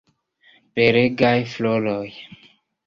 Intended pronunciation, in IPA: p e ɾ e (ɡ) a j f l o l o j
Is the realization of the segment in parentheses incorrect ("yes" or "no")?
no